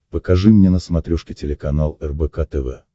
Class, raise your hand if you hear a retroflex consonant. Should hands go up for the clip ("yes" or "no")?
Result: yes